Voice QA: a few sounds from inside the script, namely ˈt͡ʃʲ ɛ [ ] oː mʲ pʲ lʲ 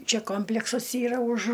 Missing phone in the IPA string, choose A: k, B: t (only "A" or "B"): A